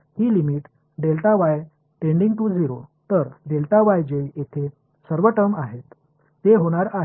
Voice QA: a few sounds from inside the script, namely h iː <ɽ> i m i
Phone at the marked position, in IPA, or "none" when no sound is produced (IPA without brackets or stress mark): l